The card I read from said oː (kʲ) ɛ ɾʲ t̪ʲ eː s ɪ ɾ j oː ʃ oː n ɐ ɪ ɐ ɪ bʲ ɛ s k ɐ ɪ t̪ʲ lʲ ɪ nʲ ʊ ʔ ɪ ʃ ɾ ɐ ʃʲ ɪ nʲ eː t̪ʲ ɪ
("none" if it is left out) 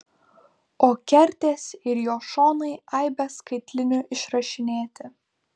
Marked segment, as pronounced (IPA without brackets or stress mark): kʲ